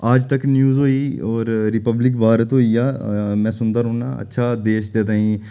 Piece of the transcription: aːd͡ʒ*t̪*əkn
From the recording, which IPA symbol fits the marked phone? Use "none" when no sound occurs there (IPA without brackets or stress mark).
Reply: t̪